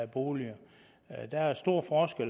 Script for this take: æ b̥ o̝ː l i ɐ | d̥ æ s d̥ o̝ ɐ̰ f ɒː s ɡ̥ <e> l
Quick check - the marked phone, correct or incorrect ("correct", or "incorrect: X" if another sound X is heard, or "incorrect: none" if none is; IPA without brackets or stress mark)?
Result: correct